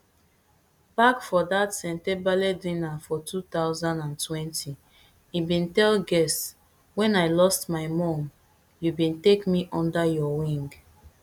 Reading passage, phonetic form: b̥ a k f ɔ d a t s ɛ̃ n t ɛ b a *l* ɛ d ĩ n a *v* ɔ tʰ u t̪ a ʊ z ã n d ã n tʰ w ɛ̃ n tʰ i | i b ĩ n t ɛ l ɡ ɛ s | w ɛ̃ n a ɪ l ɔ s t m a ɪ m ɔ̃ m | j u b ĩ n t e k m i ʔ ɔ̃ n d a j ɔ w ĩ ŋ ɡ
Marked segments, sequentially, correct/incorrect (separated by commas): correct, incorrect